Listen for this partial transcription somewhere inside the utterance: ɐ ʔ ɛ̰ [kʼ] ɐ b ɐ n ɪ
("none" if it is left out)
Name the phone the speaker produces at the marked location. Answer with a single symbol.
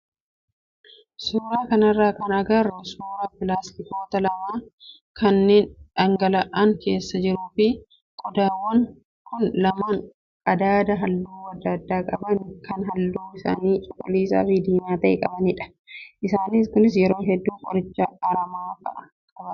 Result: kʼ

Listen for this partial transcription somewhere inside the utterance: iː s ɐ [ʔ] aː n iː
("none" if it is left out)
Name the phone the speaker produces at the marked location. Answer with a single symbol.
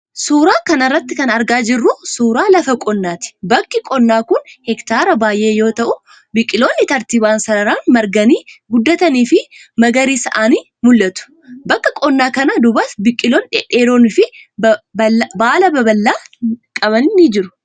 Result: ʔ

